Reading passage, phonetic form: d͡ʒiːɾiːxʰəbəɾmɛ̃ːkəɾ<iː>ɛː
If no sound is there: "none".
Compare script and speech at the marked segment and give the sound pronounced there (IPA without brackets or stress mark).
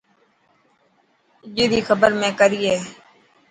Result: iː